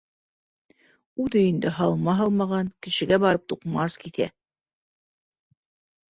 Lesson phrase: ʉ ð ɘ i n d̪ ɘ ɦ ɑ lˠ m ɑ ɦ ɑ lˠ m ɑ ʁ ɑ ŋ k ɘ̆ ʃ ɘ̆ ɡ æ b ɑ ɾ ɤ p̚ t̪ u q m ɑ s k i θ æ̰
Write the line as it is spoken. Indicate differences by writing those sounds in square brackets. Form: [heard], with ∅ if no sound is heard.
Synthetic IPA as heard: ʉ ð ɘ i n d̪ ɘ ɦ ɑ lˠ m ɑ ɦ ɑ lˠ m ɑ ʁ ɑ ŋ k ɘ̆ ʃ ɘ̆ ɡ æ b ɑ ɾ ɤ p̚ t̪ u q m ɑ s k i θ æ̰